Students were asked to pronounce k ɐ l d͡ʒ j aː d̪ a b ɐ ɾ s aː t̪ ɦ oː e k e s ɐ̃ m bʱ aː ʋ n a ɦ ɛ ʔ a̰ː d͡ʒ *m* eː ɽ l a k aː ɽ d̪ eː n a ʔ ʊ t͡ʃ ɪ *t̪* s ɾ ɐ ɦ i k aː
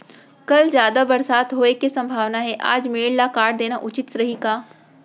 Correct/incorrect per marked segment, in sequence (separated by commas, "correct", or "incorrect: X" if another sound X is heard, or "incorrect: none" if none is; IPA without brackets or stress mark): correct, correct